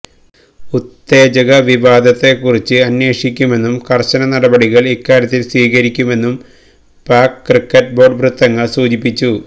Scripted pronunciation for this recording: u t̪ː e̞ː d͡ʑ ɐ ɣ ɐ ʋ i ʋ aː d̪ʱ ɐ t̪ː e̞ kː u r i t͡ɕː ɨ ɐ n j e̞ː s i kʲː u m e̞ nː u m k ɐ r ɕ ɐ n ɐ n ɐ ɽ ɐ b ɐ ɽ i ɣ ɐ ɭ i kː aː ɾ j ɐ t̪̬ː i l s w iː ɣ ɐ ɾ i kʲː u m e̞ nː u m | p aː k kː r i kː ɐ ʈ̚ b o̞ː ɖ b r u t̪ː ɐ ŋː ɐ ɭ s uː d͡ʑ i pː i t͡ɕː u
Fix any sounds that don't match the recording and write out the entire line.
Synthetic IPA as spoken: u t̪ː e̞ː d͡ʑ ɐ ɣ ɐ ʋ i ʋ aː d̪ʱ ɐ t̪ː e̞ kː u r i t͡ɕː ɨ ɐ n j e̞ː ʂ i kʲː u m e̞ nː u m k ɐ r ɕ ɐ n ɐ n ɐ ɽ ɐ b ɐ ɽ i ɣ ɐ ɭ i kː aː ɾ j ɐ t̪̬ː i l s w iː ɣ ɐ ɾ i kʲː u m e̞ nː u m | p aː k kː r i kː ɐ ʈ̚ b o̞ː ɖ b r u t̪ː ɐ ŋː ɐ ɭ s uː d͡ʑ i pː i t͡ɕː u

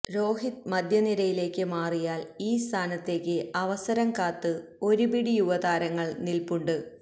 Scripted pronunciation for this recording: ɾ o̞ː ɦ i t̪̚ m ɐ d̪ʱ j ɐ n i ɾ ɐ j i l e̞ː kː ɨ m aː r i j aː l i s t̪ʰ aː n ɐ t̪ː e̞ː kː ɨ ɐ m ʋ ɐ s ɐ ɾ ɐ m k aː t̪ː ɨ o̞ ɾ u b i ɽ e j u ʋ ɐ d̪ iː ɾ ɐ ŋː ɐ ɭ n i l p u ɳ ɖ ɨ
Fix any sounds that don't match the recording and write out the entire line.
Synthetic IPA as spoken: ɾ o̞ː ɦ i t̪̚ m ɐ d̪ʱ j ɐ n i ɾ ɐ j i l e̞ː kː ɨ m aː r i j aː l iː s t̪ʰ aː n ɐ t̪ː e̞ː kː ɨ ɐ ʋ ɐ s ɐ ɾ ɐ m k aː t̪ː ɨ o̞ ɾ u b i ɽ i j u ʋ ɐ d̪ aː ɾ ɐ ŋː ɐ ɭ n i l p u ɳ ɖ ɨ

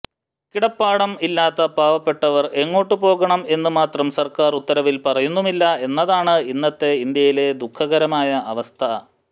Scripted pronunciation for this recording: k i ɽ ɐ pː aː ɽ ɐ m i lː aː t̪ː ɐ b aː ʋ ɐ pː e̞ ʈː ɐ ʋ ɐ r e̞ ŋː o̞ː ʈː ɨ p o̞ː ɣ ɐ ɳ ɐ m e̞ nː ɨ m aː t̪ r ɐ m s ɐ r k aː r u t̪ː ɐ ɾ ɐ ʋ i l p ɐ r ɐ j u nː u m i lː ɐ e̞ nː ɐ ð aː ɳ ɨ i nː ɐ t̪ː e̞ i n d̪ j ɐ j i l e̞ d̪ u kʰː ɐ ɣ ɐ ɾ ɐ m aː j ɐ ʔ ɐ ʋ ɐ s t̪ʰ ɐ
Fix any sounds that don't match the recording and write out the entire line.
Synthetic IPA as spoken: k i ɽ ɐ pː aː ɽ ɐ m i lː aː t̪ː ɐ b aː ʋ ɐ pː e̞ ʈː ɐ ʋ ɐ r e̞ ŋː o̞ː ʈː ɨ p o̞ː ɣ ɐ ɳ ɐ m e̞ nː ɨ m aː t̪ r ɐ m s ɐ r k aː r u t̪ː ɐ ɾ ɐ ʋ i l p ɐ r ɐ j u nː u m i lː ɐ e̞ nː ɐ ð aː ɳ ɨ i nː ɐ t̪ː e̞ i n d̪ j ɐ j i l e̞ d̪ u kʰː ɐ ɣ ɐ ɾ ɐ m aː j ɐ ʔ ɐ ʋ ɐ s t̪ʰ ɐ

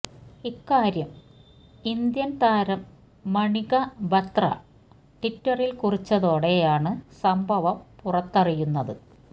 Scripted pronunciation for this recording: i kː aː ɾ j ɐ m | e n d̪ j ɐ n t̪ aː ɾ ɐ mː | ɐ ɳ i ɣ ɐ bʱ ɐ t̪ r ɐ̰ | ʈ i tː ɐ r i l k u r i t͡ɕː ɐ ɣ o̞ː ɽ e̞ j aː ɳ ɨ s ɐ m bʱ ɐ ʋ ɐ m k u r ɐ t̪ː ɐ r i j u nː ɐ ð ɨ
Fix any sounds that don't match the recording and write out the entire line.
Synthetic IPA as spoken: i kː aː ɾ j ɐ m | i n d̪ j ɐ n t̪ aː ɾ ɐ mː | ɐ ɳ i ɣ ɐ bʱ ɐ t̪ r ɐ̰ | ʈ i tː ɐ r i l k u r i t͡ɕː ɐ ð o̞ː ɽ e̞ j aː ɳ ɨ s ɐ m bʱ ɐ ʋ ɐ m p u r ɐ t̪ː ɐ r i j u nː ɐ ð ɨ

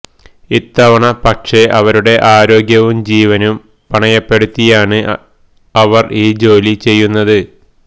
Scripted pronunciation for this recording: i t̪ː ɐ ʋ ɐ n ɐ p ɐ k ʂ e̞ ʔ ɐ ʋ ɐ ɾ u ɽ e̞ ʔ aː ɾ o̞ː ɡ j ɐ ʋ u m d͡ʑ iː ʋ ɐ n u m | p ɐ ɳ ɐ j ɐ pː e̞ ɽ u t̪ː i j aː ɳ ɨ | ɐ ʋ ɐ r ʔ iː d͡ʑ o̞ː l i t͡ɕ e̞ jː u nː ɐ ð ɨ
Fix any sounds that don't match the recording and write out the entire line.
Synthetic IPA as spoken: i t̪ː ɐ ʋ ɐ ɳ ɐ p ɐ k ʂ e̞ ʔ ɐ ʋ ɐ ɾ u ɽ e̞ ʔ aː ɾ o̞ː ɡ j ɐ ʋ u m d͡ʑ iː ʋ ɐ n u m | p ɐ ɳ ɐ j ɐ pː e̞ ɽ u t̪ː i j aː ɳ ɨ | ɐ ʋ ɐ r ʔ iː d͡ʑ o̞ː l i t͡ɕ e̞ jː u nː ɐ ð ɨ

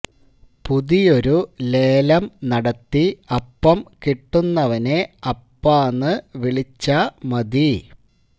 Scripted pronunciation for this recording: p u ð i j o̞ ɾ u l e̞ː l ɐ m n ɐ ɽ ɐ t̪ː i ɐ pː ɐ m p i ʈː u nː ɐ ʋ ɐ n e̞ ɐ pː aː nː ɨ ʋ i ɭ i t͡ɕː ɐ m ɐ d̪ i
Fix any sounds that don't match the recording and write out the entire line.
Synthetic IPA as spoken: p u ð i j o̞ ɾ u l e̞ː l ɐ m n ɐ ɽ ɐ t̪ː i ɐ pː ɐ m k i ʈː u nː ɐ ʋ ɐ n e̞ ɐ pː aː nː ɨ ʋ i ɭ i t͡ɕː ɐ m ɐ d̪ i

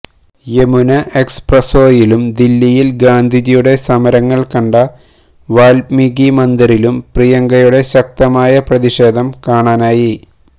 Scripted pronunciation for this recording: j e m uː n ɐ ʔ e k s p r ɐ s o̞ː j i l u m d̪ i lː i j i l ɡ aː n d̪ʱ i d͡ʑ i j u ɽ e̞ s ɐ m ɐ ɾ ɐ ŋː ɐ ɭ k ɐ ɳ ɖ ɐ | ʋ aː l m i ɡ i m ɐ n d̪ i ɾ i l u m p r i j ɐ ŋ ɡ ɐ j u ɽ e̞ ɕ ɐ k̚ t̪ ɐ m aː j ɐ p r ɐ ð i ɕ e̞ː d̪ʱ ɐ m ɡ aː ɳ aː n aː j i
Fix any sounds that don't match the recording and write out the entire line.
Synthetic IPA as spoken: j e m u n ɐ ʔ e k s p r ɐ s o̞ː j i l u m d̪ i lː i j i l ɡ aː n d̪ʱ i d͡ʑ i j u ɽ e̞ s ɐ m ɐ ɾ ɐ ŋː ɐ ɭ k ɐ ɳ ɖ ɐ | ʋ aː l m i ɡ i m ɐ n d̪ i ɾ i l u m p r i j ɐ ŋ ɡ ɐ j u ɽ e̞ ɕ ɐ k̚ t̪ ɐ m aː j ɐ p r ɐ ð i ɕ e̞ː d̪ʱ ɐ m k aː ɳ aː n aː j i

